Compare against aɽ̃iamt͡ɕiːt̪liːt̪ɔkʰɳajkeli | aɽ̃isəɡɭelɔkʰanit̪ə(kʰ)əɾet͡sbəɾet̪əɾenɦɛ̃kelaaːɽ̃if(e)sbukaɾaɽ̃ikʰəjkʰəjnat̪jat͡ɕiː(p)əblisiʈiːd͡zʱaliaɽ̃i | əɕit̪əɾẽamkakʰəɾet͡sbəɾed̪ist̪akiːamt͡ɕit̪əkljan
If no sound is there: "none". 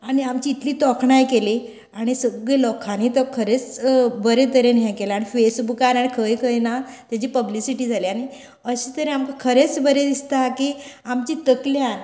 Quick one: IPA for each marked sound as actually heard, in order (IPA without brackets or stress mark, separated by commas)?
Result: kʰ, e, p